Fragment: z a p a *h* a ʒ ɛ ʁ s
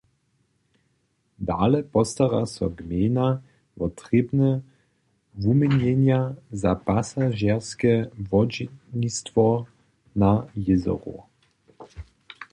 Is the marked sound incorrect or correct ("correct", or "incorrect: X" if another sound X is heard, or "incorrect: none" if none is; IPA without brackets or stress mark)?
incorrect: s